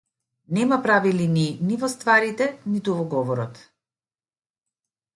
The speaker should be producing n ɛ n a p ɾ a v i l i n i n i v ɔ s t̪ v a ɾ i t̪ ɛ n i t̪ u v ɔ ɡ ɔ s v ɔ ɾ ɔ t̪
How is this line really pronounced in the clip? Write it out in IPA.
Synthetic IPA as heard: n ɛ m a p ɾ a v i l i n i n i v ɔ s t̪ v a ɾ i t̪ ɛ n i t̪ u v ɔ ɡ ɔ v ɔ ɾ ɔ t̪

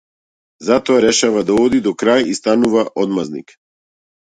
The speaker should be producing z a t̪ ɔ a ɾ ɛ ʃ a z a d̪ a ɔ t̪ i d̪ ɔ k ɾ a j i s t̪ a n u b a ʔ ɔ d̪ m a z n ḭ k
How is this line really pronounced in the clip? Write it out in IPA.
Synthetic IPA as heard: z a t̪ ɔ a ɾ ɛ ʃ a v a d̪ a ɔ d̪ i d̪ ɔ k ɾ a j i s t̪ a n u v a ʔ ɔ d̪ m a z n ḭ k

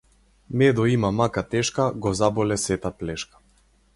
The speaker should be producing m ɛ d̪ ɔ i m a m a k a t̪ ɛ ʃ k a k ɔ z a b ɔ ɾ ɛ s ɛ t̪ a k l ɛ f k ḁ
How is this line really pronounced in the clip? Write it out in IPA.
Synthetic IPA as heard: m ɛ d̪ ɔ i m a m a k a t̪ ɛ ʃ k a ɡ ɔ z a b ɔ l ɛ s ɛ t̪ a p l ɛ ʃ k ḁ

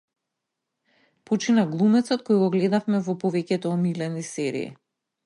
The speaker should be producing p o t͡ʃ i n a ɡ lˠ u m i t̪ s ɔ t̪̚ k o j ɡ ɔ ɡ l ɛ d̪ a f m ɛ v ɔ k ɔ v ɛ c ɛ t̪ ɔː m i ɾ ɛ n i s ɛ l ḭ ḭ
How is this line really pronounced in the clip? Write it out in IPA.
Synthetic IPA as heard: p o t͡ʃ i n a ɡ lˠ u m ɛ t̪ s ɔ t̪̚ k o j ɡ ɔ ɡ l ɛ d̪ a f m ɛ v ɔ p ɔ v ɛ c ɛ t̪ ɔː m i l ɛ n i s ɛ ɾ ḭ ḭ

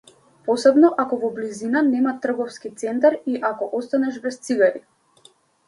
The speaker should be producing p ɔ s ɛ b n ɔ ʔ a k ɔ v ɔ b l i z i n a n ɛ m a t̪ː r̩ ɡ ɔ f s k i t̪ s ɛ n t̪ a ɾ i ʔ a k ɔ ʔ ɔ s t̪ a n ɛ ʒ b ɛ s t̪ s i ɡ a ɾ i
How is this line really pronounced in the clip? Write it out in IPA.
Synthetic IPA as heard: p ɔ s ɛ b n ɔ ʔ a k ɔ v ɔ b l i z i n a n ɛ m a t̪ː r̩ ɡ ɔ f s k i t̪ s ɛ n t̪ a ɾ i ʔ a k ɔ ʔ ɔ s t̪ a n ɛ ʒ b ɛ s t̪ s i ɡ a ɾ i

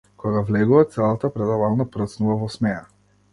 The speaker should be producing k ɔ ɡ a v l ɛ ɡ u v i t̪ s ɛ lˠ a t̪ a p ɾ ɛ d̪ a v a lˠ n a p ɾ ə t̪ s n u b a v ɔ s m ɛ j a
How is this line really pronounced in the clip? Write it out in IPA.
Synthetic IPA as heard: k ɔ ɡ a v l ɛ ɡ u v a t̪ s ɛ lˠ a t̪ a p ɾ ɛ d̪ a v a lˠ n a p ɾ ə t̪ s n u v a v ɔ s m ɛ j a

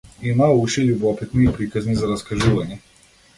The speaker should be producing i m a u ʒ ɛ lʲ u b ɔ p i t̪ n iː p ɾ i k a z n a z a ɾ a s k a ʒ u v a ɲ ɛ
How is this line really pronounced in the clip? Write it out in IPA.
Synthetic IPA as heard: i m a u ʃ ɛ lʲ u b ɔ p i t̪ n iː p ɾ i k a z n i z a ɾ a s k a ʒ u v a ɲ ɛ

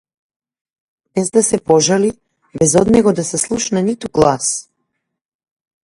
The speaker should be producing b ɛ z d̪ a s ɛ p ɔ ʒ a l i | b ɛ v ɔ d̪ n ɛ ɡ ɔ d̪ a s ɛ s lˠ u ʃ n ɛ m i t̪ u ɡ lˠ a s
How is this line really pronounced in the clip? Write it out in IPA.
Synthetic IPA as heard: b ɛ z d̪ a s ɛ p ɔ ʒ a l i | b ɛ z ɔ d̪ n ɛ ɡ ɔ d̪ a s ɛ s lˠ u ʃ n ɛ n i t̪ u ɡ lˠ a s

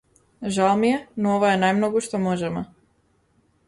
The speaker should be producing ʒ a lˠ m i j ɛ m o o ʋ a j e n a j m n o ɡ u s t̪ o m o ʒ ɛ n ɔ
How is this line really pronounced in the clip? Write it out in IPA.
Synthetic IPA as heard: ʒ a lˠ m i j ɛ n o o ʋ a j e n a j m n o ɡ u ʃ t̪ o m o ʒ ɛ m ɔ

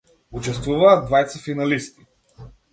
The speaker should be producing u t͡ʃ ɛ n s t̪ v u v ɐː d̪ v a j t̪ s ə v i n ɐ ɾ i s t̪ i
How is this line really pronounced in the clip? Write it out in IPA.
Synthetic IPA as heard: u t͡ʃ ɛ s t̪ v u v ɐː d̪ v a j t̪ s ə f i n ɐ l i s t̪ i

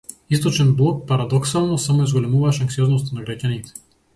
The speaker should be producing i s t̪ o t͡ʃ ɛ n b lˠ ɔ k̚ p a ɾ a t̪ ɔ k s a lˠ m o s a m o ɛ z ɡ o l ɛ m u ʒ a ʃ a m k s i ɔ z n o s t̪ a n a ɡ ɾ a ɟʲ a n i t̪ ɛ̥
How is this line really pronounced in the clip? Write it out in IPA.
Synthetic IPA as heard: i s t̪ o t͡ʃ ɛ n b lˠ ɔ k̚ p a ɾ a d̪ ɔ k s a lˠ n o s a m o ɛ z ɡ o l ɛ m u v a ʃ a ŋ k s i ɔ z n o s t̪ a n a ɡ ɾ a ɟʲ a n i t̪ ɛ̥

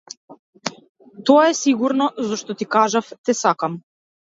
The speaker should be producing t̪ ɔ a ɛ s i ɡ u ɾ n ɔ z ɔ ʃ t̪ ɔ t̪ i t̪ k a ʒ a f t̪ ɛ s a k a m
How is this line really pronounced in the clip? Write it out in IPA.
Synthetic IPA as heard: t̪ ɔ a ɛ s i ɡ u ɾ n ɔ z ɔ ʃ t̪ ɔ t̪ i k a ʒ a f t̪ ɛ s a k a m

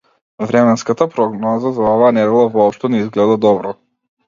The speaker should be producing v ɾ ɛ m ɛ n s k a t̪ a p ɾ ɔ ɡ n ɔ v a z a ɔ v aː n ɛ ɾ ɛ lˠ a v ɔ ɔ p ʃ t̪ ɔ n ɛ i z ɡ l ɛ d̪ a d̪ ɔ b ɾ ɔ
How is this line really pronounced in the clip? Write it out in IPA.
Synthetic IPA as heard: v ɾ ɛ m ɛ n s k a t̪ a p ɾ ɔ ɡ n ɔ z a z a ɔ v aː n ɛ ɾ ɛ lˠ a v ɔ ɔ p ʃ t̪ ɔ n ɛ i z ɡ l ɛ d̪ a d̪ ɔ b ɾ ɔ

